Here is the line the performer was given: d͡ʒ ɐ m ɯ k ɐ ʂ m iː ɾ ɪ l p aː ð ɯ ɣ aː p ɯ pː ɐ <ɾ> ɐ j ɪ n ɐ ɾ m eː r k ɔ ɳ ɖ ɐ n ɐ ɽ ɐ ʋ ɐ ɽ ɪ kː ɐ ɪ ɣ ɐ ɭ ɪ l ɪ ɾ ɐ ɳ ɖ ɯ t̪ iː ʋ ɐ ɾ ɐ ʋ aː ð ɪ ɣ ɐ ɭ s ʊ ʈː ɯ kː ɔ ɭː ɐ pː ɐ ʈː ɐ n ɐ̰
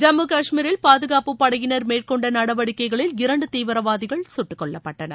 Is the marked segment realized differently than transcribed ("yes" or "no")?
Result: yes